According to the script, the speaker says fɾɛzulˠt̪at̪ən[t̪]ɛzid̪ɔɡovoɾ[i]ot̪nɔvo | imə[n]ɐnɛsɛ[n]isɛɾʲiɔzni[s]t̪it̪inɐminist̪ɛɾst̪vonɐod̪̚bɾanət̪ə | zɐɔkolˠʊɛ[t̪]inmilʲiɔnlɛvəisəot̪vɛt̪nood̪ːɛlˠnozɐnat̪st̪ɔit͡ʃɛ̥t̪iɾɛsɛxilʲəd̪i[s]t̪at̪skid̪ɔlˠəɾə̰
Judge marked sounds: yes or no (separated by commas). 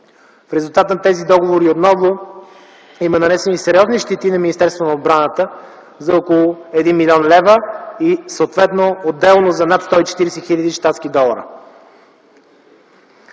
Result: yes, yes, yes, yes, no, no, no